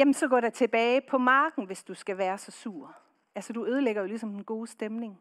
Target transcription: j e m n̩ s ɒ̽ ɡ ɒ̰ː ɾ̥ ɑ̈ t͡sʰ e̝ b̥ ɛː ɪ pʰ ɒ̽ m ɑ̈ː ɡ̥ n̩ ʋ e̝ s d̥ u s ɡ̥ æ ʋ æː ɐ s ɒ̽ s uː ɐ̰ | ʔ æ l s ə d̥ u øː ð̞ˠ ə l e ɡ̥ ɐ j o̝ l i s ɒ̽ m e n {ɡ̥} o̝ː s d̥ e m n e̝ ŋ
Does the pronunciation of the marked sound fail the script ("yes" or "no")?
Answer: no